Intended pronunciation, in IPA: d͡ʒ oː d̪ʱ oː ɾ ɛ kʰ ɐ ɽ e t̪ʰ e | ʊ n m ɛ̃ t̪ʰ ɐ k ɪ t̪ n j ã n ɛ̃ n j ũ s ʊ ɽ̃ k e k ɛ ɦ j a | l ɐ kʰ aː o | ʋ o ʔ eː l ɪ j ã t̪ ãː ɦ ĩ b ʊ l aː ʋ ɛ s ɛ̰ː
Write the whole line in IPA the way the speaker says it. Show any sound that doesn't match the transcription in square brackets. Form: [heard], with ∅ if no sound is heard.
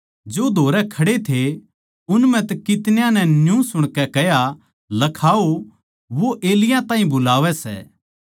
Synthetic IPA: d͡ʒ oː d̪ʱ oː ɾ ɛ kʰ ɐ ɽ e t̪ʰ e | ʊ n m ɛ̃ [t̪] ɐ k ɪ t̪ n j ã n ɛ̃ n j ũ s ʊ ɽ̃ k [ɛ] k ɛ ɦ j a | l ɐ kʰ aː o | ʋ o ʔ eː l ɪ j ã t̪ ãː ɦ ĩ b ʊ l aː ʋ ɛ s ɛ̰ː